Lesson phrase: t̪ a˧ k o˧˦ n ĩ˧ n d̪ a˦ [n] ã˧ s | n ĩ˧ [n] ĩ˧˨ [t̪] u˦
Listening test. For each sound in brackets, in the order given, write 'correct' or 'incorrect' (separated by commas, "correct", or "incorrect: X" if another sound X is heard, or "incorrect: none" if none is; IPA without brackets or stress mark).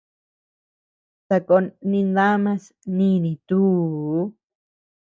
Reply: incorrect: m, correct, correct